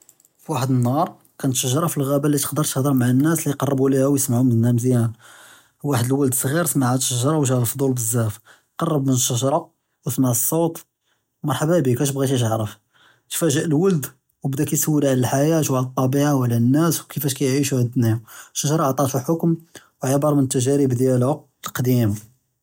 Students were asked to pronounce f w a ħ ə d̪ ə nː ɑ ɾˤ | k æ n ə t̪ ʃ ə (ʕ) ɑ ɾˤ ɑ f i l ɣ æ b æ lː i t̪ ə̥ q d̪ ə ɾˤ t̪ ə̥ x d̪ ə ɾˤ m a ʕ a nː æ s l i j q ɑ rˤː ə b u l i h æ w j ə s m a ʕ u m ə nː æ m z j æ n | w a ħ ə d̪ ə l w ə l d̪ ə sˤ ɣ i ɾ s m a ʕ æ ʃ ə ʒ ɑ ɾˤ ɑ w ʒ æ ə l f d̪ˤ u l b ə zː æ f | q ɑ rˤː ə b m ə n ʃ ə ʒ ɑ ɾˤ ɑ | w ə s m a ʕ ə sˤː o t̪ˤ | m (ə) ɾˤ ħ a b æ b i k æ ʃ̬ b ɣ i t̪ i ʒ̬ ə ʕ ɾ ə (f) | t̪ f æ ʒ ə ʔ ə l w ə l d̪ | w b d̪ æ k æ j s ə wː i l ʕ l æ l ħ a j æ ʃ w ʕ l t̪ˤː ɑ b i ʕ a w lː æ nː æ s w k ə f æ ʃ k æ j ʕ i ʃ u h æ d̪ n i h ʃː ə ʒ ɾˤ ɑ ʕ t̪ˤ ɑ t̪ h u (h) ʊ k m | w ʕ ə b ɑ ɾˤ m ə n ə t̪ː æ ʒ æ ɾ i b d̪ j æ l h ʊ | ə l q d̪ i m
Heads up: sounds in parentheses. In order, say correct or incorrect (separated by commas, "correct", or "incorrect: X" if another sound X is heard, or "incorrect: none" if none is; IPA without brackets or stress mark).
incorrect: ʒ, incorrect: ɑ, correct, incorrect: ħ